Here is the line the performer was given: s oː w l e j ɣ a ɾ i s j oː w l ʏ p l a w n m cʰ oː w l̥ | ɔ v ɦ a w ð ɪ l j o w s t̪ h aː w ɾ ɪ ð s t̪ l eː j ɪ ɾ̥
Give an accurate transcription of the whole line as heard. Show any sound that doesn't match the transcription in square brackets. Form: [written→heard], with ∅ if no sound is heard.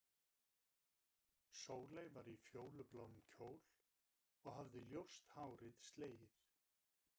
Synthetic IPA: s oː w l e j [ɣ→v] a ɾ i [s→f] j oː w l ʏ p l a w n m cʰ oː w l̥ | ɔ [v→ɣ] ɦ a [w→v] ð ɪ l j o w s t̪ h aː w ɾ ɪ ð s t̪ l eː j ɪ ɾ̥

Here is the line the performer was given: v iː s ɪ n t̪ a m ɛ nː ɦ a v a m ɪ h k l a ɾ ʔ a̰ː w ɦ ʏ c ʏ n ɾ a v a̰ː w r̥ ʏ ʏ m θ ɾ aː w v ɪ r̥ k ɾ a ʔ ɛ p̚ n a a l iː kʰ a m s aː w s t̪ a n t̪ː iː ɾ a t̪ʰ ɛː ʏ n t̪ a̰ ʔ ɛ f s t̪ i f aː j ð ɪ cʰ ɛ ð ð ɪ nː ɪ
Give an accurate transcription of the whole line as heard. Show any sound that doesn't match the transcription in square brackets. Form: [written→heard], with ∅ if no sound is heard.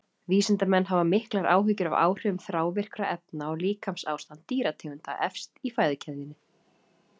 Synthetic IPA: v iː s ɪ n t̪ a m ɛ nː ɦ a v a m ɪ h k l a ɾ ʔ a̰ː w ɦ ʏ c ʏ [n→∅] ɾ a v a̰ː w r̥ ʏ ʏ m θ ɾ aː w v ɪ r̥ k ɾ a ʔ ɛ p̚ n a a l iː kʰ a m s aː w s t̪ a n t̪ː iː ɾ a t̪ʰ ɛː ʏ n t̪ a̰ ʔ ɛ f s t̪ i f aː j ð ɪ cʰ ɛ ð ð ɪ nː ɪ

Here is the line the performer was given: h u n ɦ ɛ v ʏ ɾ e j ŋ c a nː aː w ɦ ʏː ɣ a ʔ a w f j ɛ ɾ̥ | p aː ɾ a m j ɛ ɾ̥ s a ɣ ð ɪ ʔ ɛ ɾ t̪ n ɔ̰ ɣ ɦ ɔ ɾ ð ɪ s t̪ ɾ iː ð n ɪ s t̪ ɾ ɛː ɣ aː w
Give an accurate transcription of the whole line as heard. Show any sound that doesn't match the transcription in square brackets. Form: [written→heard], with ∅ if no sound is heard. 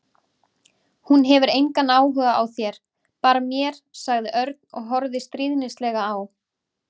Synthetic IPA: h u n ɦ ɛ v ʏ ɾ e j ŋ [c→k] a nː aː w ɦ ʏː ɣ a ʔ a w [f→θ] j ɛ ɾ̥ | p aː ɾ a m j ɛ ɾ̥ s a ɣ ð ɪ ʔ [ɛ→œ] ɾ t̪ n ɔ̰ ɣ ɦ ɔ ɾ ð ɪ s t̪ ɾ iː ð n ɪ s t̪ [ɾ→l] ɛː ɣ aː w

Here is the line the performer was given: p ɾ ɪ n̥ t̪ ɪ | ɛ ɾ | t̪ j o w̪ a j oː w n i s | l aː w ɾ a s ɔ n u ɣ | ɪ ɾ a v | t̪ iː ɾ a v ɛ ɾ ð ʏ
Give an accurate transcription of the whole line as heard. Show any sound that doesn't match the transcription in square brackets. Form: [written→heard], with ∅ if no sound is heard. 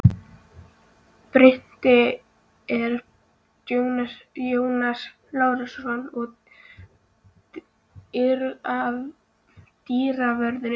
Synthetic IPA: p ɾ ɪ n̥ t̪ ɪ | ɛ ɾ | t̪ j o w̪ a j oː w n [i→a] s | l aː w ɾ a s ɔ n [u→ɔ] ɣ | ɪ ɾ a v | t̪ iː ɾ a v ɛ ɾ ð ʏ

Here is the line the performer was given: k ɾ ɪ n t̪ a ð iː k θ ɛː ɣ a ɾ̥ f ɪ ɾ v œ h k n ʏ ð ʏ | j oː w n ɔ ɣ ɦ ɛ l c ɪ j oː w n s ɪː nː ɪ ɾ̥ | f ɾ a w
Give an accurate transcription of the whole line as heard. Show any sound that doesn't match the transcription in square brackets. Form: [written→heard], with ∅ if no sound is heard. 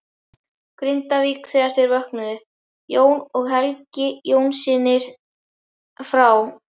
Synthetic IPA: k ɾ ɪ n t̪ a [ð→v] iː k θ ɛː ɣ a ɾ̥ [f→θ] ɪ ɾ v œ h k n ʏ ð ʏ | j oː w n ɔ ɣ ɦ ɛ l c ɪ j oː w n s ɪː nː ɪ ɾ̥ | f ɾ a w

